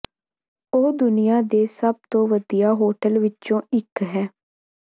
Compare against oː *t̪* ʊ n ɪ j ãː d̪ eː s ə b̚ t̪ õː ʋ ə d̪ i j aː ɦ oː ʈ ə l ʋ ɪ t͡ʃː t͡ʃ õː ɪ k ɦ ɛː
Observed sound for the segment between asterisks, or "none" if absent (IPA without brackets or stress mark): d̪